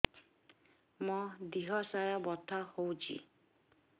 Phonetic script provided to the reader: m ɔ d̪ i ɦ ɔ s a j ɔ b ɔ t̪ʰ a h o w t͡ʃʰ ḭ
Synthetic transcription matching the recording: m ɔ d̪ i ɦ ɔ s a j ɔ b ɔ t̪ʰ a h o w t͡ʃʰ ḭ